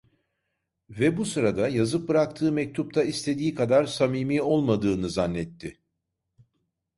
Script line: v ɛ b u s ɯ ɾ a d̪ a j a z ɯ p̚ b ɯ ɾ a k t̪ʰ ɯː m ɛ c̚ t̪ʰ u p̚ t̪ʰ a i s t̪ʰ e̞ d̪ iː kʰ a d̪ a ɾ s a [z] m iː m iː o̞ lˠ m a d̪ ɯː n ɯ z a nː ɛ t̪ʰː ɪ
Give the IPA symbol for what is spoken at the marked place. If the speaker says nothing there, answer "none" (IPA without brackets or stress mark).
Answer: none